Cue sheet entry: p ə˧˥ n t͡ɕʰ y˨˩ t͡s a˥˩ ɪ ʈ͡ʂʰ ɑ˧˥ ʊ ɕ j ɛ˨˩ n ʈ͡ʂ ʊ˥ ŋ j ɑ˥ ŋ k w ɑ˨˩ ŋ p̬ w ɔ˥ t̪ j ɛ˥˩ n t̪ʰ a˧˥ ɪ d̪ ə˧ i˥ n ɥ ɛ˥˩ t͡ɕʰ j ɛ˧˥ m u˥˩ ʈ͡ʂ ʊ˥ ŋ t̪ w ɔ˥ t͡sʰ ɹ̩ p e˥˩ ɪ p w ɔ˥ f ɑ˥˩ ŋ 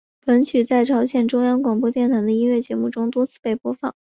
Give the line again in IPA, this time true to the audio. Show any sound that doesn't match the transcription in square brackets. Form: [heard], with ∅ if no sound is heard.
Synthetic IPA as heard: p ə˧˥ n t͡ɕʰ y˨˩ t͡s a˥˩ ɪ ʈ͡ʂʰ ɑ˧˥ ʊ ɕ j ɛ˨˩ n ʈ͡ʂ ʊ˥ ŋ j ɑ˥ ŋ k w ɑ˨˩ ŋ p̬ w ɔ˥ t̪ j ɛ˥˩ n t̪ʰ a˧˥ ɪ d̪ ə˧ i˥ n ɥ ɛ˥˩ [t͡ɕ] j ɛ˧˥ m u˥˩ ʈ͡ʂ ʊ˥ ŋ t̪ w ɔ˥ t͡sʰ ɹ̩ p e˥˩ ɪ p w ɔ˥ f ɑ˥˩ ŋ